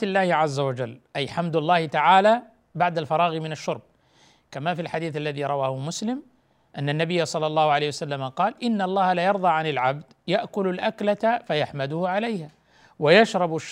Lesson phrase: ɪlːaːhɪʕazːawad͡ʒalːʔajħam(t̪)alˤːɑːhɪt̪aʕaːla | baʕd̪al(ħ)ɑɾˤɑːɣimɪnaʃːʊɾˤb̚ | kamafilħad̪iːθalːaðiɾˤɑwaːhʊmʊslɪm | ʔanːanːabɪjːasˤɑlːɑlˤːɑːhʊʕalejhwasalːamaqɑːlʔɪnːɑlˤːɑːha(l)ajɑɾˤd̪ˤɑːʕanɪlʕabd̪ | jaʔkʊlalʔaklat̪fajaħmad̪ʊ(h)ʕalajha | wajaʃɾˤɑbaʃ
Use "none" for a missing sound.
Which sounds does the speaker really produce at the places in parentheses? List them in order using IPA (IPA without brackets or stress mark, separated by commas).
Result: d̪, f, l, h